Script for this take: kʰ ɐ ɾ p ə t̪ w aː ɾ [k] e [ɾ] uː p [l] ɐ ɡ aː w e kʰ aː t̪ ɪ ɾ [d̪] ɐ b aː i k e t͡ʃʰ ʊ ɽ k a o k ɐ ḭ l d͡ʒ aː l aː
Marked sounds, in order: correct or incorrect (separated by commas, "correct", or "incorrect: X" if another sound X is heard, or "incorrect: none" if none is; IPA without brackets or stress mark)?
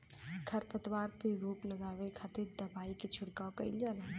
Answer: incorrect: p, correct, correct, correct